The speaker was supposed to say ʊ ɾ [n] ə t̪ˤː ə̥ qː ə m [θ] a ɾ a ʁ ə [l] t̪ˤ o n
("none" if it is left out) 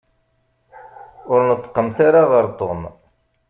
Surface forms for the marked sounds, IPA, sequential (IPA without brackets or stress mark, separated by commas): n, θ, ɾ